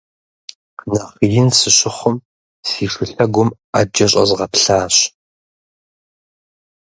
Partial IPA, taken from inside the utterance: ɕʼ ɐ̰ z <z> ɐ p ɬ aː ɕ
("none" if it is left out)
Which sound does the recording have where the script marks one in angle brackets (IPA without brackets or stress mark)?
ʁ